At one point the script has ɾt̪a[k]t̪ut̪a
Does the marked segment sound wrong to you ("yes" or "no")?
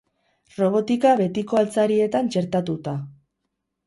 yes